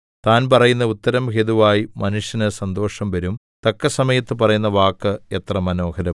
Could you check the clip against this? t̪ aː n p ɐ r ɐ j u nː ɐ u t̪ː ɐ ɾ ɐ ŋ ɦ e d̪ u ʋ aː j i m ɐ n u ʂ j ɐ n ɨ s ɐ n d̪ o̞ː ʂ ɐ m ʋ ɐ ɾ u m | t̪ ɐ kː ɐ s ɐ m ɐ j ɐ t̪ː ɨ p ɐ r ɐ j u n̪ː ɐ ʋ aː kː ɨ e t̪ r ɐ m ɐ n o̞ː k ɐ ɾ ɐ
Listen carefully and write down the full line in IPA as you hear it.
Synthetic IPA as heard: t̪ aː n p ɐ r ɐ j u nː ɐ u t̪ː ɐ ɾ ɐ m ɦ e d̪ u ʋ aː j i m ɐ n u ʂ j ɐ n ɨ s ɐ n d̪ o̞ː ʂ ɐ m ʋ ɐ ɾ u m | t̪ ɐ kː ɐ s ɐ m ɐ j ɐ t̪ː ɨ p ɐ r ɐ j u n̪ː ɐ ʋ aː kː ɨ e t̪ r ɐ m ɐ n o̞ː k ɐ ɾ ɐ

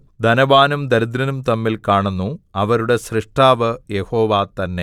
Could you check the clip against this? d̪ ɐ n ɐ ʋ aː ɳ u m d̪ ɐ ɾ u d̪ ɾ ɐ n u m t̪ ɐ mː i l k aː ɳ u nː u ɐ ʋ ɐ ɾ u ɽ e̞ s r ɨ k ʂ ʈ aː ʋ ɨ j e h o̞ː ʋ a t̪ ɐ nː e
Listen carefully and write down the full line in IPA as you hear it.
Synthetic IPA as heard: d̪ ɐ n ɐ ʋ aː n u m d̪ ɐ ɾ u d̪ ɾ ɐ n u m t̪ ɐ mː i l k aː ɳ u nː u ɐ ʋ ɐ ɾ u ɽ e̞ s r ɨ ʂ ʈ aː ʋ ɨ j e h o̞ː ʋ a t̪ ɐ nː e

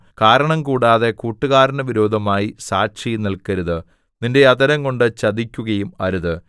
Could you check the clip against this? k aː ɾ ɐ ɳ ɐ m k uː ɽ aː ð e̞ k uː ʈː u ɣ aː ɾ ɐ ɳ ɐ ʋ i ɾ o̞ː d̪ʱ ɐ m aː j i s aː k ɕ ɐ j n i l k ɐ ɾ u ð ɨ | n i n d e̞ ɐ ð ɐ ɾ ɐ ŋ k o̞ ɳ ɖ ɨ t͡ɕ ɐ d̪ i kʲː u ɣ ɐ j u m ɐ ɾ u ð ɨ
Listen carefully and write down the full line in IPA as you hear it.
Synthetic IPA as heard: k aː ɾ ɐ ɳ ɐ m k uː ɽ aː ð e̞ k uː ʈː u ɣ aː ɾ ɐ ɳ ɐ ʋ i ɾ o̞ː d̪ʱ ɐ m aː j i s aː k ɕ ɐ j n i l k ɐ ɾ u ð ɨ | n i n d e̞ ɐ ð ɐ ɾ ɐ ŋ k o̞ ɳ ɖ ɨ t͡ɕ ɐ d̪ i kʲː u ɣ ɐ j u m ɐ ɾ u ð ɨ

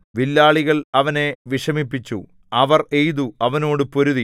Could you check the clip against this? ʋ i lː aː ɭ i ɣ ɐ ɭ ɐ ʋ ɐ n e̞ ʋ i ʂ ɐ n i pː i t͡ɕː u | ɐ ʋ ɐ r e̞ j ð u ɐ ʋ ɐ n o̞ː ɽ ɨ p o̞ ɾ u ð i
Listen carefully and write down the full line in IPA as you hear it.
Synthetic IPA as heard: ʋ i lː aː ɭ i ɣ ɐ ɭ ɐ ʋ ɐ n e̞ ʋ i ʂ ɐ m i pː i t͡ɕː u | ɐ ʋ ɐ r e̞ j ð u ɐ ʋ ɐ n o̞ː ɽ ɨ p o̞ ɾ u ð i

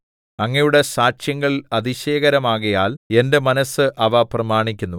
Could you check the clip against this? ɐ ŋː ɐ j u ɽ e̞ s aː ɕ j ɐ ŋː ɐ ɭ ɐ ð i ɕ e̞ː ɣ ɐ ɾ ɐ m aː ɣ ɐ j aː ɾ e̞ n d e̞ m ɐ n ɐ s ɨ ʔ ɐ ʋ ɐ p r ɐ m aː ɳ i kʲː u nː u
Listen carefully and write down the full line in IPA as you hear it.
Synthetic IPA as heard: ɐ ŋː ɐ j u ɽ e̞ s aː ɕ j ɐ ŋː ɐ ɭ ɐ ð i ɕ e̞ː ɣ ɐ ɾ ɐ m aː ɣ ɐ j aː l e̞ n d e̞ m ɐ n ɐ s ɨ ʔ ɐ ʋ ɐ p r ɐ m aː ɳ i kʲː u nː u

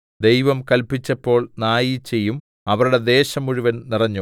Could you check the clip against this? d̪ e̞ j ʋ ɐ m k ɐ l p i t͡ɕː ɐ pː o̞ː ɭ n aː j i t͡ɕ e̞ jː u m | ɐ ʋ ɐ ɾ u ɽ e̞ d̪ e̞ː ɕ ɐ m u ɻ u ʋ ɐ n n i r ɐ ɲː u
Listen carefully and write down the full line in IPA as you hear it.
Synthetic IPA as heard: d̪ e̞ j ʋ ɐ m k ɐ l p i t͡ɕː ɐ pː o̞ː ɭ n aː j i t͡ɕ e̞ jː u m | ɐ ʋ ɐ ɾ u ɽ e̞ d̪ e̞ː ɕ ɐ m u ɻ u ʋ ɐ n n i r ɐ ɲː u

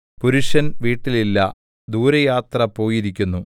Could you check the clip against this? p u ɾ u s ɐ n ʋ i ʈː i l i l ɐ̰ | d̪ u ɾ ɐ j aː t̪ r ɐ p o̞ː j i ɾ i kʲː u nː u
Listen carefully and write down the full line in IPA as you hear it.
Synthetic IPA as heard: p u ɾ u ʂ ɐ n ʋ iː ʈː i l i lː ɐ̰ | d̪ uː ɾ ɐ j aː t̪ r ɐ p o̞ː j i ɾ i kʲː u nː u

